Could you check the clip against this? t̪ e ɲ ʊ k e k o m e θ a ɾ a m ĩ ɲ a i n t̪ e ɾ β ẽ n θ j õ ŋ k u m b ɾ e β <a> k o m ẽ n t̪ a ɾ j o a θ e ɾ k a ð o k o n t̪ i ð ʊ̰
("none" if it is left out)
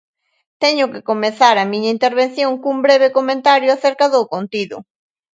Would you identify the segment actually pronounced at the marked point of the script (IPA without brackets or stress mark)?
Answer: e